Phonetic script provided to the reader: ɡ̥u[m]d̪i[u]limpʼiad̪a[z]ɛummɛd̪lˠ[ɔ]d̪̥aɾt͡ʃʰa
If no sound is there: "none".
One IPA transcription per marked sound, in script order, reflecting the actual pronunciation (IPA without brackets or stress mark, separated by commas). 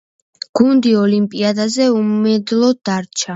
n, ɔ, z, ɔ